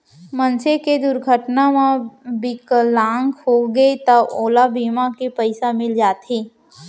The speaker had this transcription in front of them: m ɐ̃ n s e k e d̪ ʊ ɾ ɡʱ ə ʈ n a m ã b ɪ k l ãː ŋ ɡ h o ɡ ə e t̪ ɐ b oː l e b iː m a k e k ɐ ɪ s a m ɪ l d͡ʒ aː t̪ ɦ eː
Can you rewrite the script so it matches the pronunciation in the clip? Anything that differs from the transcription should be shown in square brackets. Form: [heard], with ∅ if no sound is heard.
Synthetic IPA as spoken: m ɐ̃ n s e k e d̪ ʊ ɾ ɡʱ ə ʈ n a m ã b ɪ k l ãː ŋ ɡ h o ɡ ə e t̪ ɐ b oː l [a] b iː m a k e [p] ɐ ɪ s a m ɪ l d͡ʒ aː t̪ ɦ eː